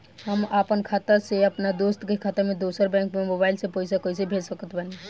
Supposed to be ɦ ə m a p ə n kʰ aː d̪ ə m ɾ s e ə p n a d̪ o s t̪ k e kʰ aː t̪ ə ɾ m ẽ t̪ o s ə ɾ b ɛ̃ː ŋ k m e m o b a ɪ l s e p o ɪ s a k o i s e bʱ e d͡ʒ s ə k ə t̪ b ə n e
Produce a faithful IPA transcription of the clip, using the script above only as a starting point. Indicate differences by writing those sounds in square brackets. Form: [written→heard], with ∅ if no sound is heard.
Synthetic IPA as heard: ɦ ə m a p ə n kʰ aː [d̪→t̪] ə [m→∅] ɾ s e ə p n a d̪ o s t̪ k e kʰ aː t̪ ə ɾ m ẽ [t̪→d̪] o s ə ɾ b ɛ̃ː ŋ k m e m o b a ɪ l s e p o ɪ s a k o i s e bʱ e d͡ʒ s ə k ə t̪ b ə n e